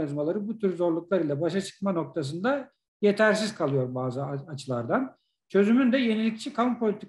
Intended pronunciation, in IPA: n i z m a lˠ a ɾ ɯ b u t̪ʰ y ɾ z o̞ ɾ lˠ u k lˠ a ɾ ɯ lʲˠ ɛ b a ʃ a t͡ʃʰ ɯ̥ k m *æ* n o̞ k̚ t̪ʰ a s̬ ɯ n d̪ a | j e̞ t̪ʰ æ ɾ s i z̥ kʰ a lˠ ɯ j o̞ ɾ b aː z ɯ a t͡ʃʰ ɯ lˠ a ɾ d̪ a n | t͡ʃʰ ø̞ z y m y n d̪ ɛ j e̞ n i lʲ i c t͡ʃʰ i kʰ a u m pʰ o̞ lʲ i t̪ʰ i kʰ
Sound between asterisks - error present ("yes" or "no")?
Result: yes